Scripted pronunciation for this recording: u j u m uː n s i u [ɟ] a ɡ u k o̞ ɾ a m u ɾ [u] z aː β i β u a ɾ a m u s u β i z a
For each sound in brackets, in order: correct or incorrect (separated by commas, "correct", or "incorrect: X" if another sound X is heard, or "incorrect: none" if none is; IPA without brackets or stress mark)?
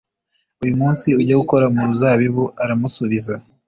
correct, correct